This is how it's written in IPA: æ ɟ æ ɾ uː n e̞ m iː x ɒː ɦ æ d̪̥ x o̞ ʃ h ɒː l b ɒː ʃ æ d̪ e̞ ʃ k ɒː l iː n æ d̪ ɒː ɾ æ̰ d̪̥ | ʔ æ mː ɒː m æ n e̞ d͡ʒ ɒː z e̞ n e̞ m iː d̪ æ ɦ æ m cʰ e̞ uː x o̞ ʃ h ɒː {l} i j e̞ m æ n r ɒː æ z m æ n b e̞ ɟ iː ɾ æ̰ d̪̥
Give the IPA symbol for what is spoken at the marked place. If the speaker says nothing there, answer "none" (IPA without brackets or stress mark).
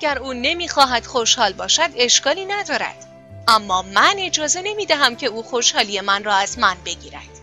l